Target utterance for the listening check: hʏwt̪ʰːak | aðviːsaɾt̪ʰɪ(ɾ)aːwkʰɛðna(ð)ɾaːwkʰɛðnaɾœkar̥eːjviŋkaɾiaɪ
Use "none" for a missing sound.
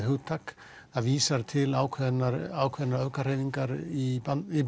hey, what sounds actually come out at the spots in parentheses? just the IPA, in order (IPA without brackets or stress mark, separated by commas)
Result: l, none